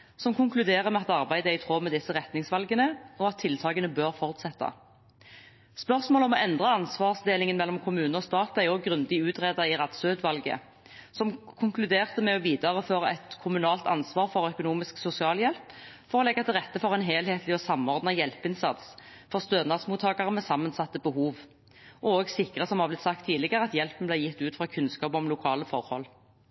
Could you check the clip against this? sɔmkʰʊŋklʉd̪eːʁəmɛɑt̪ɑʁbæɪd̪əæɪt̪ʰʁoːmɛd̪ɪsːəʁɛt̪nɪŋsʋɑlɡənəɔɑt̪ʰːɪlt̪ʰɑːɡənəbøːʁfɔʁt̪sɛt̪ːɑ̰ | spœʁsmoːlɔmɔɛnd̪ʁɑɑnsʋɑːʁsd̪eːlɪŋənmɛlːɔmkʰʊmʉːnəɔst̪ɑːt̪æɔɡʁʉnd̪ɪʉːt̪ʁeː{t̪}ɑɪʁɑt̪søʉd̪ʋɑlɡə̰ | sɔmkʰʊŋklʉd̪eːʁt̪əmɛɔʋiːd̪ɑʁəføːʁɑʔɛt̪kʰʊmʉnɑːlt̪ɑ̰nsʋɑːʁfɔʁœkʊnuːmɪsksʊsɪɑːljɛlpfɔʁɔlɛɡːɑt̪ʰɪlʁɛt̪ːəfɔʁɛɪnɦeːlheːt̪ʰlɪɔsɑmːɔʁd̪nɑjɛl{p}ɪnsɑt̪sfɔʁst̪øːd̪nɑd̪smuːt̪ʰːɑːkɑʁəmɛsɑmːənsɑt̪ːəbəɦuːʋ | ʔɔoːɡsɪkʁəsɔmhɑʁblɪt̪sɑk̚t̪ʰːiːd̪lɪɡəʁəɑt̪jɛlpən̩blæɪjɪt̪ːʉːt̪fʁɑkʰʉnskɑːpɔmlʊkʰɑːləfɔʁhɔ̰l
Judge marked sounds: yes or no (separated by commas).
no, yes